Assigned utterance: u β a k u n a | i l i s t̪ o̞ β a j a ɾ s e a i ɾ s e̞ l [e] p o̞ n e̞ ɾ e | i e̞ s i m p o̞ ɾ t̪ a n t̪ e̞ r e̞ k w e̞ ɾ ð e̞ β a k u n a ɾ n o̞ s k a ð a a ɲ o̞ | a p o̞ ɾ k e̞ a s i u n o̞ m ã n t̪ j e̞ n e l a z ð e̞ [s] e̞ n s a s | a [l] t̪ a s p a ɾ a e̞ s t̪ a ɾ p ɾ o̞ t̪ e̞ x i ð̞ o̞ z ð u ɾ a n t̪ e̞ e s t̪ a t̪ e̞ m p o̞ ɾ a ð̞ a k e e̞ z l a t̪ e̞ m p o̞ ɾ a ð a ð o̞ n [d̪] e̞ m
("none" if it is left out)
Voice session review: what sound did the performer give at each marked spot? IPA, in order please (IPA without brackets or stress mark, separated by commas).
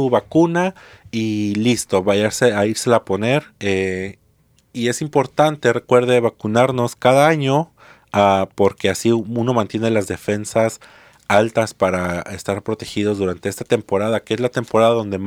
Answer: a, f, l, d̪